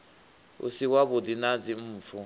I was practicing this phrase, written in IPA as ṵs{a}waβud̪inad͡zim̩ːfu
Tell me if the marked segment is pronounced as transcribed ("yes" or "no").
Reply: no